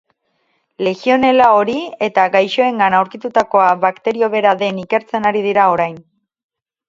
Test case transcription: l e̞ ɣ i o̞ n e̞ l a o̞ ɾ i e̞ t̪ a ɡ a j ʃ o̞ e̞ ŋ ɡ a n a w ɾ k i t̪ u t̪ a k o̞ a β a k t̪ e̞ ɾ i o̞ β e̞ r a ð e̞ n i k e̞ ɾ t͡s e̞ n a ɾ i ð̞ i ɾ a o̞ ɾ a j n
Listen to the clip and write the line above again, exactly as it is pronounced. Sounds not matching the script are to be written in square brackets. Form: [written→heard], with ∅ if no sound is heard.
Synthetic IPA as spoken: l e̞ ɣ i o̞ n e̞ l a o̞ ɾ i e̞ t̪ a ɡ a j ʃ o̞ e̞ ŋ ɡ a n a w ɾ k i t̪ u t̪ a k o̞ a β a k t̪ e̞ ɾ i o̞ β e̞ [r→ɾ] a ð e̞ n i k e̞ ɾ t͡s e̞ n a ɾ i ð̞ i ɾ a o̞ ɾ a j n